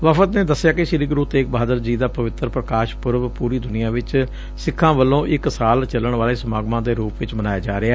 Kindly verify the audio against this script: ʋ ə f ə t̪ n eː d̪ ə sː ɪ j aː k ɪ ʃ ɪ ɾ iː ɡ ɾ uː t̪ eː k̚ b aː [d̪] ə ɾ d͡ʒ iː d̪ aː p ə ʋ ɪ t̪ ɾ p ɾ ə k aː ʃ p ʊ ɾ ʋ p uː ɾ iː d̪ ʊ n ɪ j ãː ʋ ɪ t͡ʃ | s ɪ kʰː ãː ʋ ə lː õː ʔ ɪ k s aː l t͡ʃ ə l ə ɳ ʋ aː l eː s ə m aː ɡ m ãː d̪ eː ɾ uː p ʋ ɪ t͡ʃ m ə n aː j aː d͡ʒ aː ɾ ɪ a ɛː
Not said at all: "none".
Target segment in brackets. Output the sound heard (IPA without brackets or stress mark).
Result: d̪